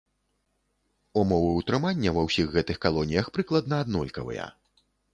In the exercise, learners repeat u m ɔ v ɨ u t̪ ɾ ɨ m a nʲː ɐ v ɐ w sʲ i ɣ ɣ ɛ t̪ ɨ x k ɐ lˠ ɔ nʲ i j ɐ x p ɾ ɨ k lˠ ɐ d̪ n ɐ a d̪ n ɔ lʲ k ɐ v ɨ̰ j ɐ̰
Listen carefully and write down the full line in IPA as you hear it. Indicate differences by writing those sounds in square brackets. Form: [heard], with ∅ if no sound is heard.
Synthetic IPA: u m ɔ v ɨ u t̪ ɾ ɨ m a nʲː ɐ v ɐ w sʲ i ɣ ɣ ɛ t̪ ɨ x k [a] lˠ ɔ nʲ i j ɐ x p ɾ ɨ k lˠ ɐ d̪ n ɐ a d̪ n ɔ lʲ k ɐ v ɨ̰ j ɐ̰